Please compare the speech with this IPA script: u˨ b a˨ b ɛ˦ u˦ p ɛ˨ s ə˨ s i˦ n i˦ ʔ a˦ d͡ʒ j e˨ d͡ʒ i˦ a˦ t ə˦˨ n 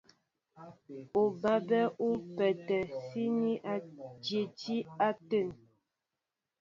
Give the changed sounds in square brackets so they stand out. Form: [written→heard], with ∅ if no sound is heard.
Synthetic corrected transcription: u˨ b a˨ b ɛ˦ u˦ p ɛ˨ [s→t] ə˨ s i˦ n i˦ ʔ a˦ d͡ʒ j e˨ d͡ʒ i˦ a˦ t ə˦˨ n